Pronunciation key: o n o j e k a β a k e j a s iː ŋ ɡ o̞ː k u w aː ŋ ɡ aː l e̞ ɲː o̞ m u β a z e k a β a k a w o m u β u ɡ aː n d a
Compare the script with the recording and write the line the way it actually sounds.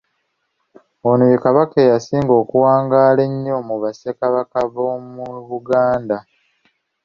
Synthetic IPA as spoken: o n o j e k a β a k e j a s iː ŋ ɡ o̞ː k u w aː ŋ ɡ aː l e̞ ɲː o̞ m u β a s e k a β a k a β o m u β u ɡ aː n d a

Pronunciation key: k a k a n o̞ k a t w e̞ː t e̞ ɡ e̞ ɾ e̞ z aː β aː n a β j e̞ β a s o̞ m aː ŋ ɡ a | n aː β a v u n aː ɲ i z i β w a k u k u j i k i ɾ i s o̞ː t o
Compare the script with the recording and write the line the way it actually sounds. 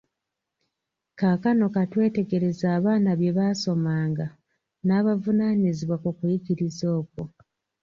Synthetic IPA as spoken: k a k a n o̞ k a t w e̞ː t e̞ ɡ e̞ ɾ e̞ z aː β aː n a β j e̞ β a s o̞ m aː ŋ ɡ a | n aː β a v u n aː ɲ i z i β w a k u k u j i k i ɾ i z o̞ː k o

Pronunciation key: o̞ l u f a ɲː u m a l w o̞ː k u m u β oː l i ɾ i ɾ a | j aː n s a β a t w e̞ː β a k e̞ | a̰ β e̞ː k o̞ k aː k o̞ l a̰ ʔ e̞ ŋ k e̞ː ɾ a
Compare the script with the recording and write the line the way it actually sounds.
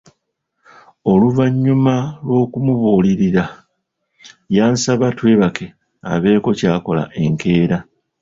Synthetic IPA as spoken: o̞ l u v a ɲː u m a l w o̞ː k u m u β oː l i ɾ i ɾ a | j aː n s a β a t w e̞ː β a k e̞ | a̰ β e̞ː k o̞ c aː k o̞ l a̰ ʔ e̞ ŋ k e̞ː ɾ a

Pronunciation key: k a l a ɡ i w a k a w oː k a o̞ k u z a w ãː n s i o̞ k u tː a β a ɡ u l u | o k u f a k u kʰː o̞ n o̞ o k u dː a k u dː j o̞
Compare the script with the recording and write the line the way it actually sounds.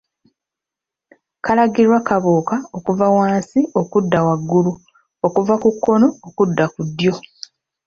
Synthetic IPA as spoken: k a l a ɡ i w a k a β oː k a o̞ k u v a w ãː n s i o̞ k u dː a w a ɡː u l u | o k u v a k u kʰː o̞ n o̞ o k u dː a k u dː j o̞

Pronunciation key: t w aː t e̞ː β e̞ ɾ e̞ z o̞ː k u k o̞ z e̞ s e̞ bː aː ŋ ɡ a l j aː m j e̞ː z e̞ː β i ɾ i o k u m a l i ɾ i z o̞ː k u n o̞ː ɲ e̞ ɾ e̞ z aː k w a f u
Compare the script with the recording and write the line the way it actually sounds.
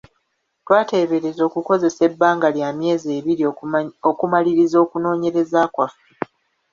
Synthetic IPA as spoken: t w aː t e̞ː β e̞ ɾ e̞ z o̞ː k u k o̞ z e̞ s e̞ bː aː ŋ ɡ a l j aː m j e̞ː z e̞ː β i ɾ i o k u m a l i ɾ i z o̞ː k u n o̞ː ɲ e̞ ɾ e̞ z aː k w a f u

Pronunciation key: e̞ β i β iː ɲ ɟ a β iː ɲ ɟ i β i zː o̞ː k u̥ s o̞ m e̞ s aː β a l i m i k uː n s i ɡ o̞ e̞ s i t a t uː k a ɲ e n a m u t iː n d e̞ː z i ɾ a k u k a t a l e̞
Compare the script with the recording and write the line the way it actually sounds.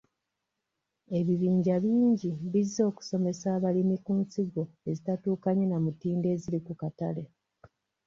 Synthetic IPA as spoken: e̞ β i β iː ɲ ɟ a β iː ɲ ɟ i β i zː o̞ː k u̥ s o̞ m e̞ s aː β a l i m i k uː n s i ɡ o̞ e̞ z i t a t uː k a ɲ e n a m u t iː n d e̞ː z i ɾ i k u k a t a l e̞

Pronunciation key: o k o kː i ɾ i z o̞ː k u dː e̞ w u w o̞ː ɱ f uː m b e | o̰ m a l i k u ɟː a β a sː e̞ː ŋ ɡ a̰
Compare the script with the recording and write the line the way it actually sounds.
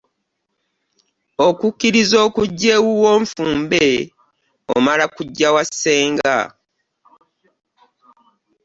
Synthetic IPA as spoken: o k u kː i ɾ i z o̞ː k u ɟː e̞ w u w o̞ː ɱ f uː m b e | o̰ m a l a k u ɟː a w a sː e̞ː ŋ ɡ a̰

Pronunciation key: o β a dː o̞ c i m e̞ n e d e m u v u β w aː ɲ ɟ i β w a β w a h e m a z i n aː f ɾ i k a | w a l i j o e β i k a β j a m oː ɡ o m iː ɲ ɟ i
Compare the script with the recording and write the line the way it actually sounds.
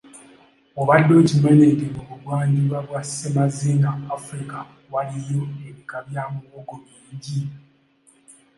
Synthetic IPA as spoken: o β a dː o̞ c i m e̞ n e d e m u β u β w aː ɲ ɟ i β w a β w a s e m a z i n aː f ɾ i k a | w a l i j o e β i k a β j a m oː ɡ o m iː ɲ ɟ i

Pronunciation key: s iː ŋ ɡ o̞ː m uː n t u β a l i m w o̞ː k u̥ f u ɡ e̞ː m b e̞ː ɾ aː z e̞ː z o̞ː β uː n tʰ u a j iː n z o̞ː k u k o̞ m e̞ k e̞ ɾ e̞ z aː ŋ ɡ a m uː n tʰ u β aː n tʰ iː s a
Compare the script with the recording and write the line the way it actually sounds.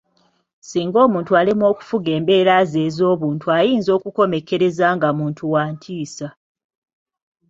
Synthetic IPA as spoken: s iː ŋ ɡ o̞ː m uː n t u a l i m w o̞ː k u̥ f u ɡ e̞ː m b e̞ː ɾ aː z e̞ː z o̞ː β uː n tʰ u a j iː n z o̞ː k u k o̞ m e̞ k e̞ ɾ e̞ z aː ŋ ɡ a m uː n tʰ u w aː n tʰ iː s a

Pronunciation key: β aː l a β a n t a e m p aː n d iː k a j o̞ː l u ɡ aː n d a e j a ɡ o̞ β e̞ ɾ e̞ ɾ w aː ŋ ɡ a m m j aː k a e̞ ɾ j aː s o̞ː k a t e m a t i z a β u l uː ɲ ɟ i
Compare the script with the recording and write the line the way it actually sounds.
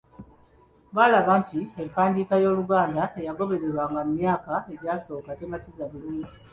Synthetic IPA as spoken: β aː l a β a n t i e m p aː n d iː k a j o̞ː l u ɡ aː n d a e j a ɡ o̞ β e̞ ɾ e̞ ɾ w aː ŋ ɡ a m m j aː k a e̞ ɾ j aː s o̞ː k a t e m a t i z a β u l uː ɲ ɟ i

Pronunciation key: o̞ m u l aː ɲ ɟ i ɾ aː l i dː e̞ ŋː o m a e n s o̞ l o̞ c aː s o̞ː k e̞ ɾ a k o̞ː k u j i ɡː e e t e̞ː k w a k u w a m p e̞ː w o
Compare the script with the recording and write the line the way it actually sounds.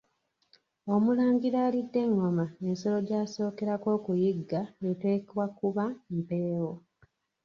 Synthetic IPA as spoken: o̞ m u l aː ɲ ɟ i ɾ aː l i dː e̞ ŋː o m a e n s o̞ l o̞ ɟ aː s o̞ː k e̞ ɾ a k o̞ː k u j i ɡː a e t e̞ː k w a k u β a m p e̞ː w o

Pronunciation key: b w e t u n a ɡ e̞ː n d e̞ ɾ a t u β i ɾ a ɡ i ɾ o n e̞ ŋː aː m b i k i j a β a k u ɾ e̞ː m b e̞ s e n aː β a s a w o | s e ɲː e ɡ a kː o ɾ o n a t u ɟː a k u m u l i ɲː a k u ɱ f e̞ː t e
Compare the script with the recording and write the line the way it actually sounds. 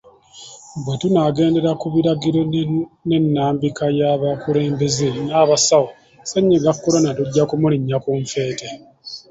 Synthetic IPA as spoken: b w e t u n a ɡ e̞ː n d e̞ ɾ a k u β i ɾ a ɡ i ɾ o n e̞ nː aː m b i k a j a β a k u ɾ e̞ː m b e̞ z e n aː β a s a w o | s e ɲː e ɡ a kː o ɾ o n a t u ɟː a k u m u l i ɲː a k u ɱ f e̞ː t e

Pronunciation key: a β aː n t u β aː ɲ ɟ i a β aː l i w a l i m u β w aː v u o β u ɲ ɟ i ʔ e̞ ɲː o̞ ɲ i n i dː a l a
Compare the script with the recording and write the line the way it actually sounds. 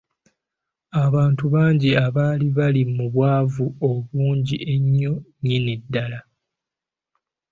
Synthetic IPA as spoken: a β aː n t u β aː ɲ ɟ i a β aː l i β a l i m u β w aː v u o β uː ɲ ɟ i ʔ e̞ ɲː o̞ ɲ i n i dː a l a

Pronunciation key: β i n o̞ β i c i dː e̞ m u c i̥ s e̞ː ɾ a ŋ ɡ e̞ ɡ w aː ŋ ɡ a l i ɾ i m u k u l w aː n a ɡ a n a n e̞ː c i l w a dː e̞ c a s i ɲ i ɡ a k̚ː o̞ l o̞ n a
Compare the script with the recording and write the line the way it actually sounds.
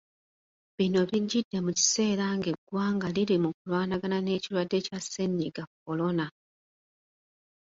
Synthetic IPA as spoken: β i n o̞ β i ɟ i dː e̞ m u c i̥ s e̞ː ɾ a ŋ ɡ e̞ ɡ w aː ŋ ɡ a l i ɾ i m u k u l w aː n a ɡ a n a n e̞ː c i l w a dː e̞ c a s e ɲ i ɡ a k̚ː o̞ l o̞ n a

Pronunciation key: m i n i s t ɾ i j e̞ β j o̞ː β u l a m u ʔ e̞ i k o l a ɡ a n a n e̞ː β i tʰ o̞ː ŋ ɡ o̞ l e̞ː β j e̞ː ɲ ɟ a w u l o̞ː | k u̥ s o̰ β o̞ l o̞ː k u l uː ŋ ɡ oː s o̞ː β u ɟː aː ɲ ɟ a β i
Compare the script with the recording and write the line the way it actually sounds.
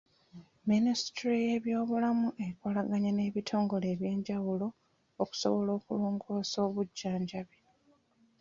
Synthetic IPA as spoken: m i n i s t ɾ i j e̞ β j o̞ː β u l a m u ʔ e̞ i k o l a ɡ a ɲ a n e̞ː β i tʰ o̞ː ŋ ɡ o̞ l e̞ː β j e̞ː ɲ ɟ a w u l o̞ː | k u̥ s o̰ β o̞ l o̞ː k u l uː ŋ ɡ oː s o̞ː β u ɟː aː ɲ ɟ a β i

